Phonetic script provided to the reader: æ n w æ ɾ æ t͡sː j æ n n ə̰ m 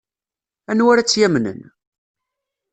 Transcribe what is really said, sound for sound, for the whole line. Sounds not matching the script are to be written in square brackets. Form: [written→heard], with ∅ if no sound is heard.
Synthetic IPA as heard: æ n w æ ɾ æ t͡sː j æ [n→m] n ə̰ [m→n]